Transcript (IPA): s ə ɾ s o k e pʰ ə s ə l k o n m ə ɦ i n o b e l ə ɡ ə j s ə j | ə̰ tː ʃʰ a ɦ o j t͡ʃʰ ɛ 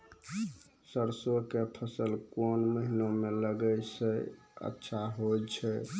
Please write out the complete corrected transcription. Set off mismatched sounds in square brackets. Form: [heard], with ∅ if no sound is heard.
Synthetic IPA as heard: s ə ɾ s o k e pʰ ə s ə l k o n m ə ɦ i n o [m] e l ə ɡ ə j s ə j | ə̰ tː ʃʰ a ɦ o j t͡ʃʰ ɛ